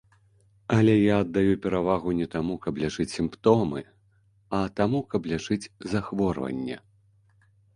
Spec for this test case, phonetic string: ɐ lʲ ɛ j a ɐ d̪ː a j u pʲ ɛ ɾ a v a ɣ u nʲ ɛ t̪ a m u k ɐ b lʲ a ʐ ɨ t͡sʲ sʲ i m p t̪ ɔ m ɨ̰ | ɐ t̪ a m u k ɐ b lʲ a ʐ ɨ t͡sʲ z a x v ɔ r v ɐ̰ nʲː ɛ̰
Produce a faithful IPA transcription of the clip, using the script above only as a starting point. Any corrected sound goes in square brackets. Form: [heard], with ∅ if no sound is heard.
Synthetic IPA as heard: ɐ lʲ ɛ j a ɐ d̪ː a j u pʲ ɛ ɾ a v a ɣ u nʲ ɛ t̪ a m u k ɐ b lʲ a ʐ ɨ t͡sʲ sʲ i m p t̪ ɔ m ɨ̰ | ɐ t̪ a m u k ɐ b lʲ a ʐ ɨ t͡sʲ z a x v ɔ r v ɐ̰ nʲː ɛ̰